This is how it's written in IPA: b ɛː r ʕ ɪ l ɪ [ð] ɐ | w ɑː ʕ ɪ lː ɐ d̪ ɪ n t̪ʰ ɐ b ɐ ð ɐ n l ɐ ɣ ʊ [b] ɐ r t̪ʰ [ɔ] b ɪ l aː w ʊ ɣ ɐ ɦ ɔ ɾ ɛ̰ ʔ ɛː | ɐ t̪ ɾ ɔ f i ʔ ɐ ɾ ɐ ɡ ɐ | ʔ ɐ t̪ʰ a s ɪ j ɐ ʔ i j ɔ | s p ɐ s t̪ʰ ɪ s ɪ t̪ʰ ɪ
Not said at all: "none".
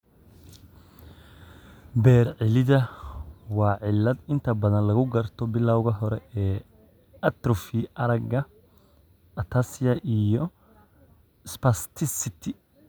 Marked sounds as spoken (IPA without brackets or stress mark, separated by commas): ð, ɡ, ɔ